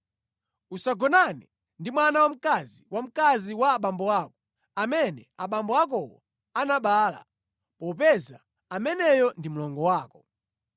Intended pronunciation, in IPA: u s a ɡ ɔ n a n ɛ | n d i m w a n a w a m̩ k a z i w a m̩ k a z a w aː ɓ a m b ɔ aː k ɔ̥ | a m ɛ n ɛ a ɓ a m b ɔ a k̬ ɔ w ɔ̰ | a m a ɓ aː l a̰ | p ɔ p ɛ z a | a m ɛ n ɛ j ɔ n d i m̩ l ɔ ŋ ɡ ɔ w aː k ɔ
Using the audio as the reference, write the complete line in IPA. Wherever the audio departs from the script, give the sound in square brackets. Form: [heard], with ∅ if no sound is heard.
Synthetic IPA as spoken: u s a ɡ ɔ n a n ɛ | n d i m w a n a w a m̩ k a z i w a m̩ k a z [i] w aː ɓ a m b ɔ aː k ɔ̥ | a m ɛ n ɛ a ɓ a m b ɔ a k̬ ɔ w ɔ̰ | a [n] a ɓ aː l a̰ | p ɔ p ɛ z a | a m ɛ n ɛ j ɔ n d i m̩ l ɔ ŋ ɡ ɔ w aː k ɔ